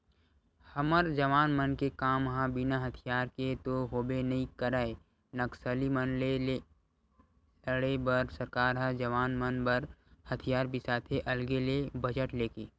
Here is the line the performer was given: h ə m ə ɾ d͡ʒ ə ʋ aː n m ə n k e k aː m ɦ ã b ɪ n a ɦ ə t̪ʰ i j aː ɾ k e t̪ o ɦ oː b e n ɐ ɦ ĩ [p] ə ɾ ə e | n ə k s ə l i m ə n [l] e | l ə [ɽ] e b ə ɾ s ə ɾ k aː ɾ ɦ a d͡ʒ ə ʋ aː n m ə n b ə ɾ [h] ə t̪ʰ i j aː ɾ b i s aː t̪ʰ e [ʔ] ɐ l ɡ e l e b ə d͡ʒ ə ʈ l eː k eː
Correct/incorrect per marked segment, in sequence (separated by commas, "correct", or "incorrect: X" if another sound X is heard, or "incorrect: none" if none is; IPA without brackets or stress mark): incorrect: k, correct, correct, correct, correct